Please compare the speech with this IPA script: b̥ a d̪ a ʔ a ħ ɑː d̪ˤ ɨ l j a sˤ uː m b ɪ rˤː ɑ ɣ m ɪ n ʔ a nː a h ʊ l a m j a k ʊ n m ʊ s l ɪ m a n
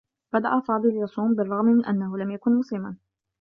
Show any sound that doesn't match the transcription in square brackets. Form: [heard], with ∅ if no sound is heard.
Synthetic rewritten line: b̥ a d̪ a ʔ a [f] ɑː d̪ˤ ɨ l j [ɑ] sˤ uː m b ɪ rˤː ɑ ɣ m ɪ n ʔ a nː a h ʊ l a m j a k ʊ n m ʊ s l ɪ m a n